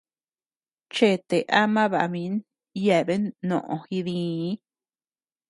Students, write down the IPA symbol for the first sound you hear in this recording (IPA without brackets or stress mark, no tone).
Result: t͡ʃ